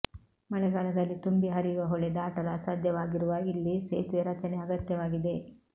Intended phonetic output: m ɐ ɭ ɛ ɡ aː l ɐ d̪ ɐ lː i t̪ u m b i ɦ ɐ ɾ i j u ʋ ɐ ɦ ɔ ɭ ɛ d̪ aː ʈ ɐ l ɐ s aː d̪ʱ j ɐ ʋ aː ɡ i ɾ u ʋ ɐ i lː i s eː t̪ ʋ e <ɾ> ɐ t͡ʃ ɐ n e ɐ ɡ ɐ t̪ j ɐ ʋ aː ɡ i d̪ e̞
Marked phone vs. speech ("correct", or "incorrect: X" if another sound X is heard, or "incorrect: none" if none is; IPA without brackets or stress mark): correct